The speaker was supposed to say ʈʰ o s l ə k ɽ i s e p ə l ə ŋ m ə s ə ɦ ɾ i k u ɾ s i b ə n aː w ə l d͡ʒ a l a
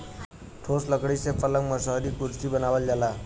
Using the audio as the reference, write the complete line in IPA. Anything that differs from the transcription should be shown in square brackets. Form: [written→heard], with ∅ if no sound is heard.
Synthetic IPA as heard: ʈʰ o s l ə k ɽ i s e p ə l ə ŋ m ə s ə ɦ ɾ i k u ɾ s i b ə n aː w ə l d͡ʒ a l a

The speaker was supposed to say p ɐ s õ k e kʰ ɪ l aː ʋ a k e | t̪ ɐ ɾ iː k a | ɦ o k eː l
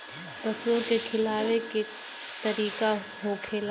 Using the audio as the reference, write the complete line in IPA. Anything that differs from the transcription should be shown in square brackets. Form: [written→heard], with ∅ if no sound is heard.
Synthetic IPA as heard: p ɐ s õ k e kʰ ɪ l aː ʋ [a→e] k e | t̪ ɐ ɾ iː k a | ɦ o [k→kʰ] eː l

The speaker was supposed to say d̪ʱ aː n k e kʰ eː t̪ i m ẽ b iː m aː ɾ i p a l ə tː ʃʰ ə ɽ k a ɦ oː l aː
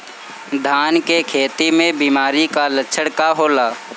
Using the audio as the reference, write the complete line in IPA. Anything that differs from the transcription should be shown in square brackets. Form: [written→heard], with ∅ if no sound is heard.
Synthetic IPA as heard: d̪ʱ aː n k e kʰ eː t̪ i m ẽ b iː m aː ɾ i [p→k] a l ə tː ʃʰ ə ɽ k a ɦ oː l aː

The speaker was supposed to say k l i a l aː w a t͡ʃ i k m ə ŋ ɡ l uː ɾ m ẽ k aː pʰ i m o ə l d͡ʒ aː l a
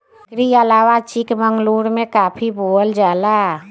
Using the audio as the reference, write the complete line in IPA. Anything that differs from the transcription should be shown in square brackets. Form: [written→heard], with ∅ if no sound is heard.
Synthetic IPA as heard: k [l→ɾ] i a l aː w a t͡ʃ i k m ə ŋ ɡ l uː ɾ m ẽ k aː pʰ i [m→b] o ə l d͡ʒ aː l a

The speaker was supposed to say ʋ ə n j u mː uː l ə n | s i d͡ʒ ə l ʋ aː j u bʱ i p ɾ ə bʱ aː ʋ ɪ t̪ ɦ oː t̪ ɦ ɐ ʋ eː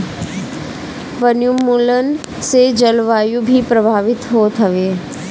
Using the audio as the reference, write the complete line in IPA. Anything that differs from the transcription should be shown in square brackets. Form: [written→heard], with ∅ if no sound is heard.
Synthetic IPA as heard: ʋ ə n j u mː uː l ə n | s [i→e] d͡ʒ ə l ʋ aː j u bʱ i p ɾ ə bʱ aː ʋ ɪ t̪ ɦ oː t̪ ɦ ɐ ʋ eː

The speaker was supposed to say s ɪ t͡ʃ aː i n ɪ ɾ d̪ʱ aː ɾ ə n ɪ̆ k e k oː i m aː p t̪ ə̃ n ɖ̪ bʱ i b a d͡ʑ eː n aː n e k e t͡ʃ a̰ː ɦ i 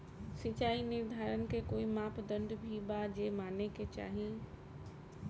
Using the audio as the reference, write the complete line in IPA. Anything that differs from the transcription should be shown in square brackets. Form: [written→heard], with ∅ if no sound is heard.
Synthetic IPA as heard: s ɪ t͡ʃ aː i n ɪ ɾ d̪ʱ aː ɾ ə n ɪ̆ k e k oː i m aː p [t̪→d̪] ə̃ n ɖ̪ bʱ i b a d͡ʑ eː [n→m] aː n e k e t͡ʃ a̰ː ɦ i

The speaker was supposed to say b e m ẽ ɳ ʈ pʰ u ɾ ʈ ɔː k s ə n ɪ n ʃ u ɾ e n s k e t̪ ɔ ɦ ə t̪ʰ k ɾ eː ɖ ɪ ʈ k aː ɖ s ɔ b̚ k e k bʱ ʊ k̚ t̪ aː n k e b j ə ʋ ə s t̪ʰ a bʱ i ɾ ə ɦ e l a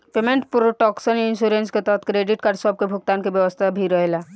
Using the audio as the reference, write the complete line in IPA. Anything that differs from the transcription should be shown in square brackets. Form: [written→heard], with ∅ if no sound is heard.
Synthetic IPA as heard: [b→p] e m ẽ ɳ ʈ [pʰ→p] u ɾ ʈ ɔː k s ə n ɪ n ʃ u ɾ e n s k e t̪ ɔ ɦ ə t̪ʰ k ɾ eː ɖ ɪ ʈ k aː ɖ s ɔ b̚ k e [k→∅] bʱ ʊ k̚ t̪ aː n k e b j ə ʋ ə s t̪ʰ a bʱ i ɾ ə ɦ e l a

